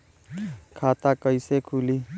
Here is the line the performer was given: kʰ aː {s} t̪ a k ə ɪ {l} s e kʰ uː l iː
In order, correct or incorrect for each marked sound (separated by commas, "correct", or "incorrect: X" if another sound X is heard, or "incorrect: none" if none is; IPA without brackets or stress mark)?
incorrect: none, incorrect: none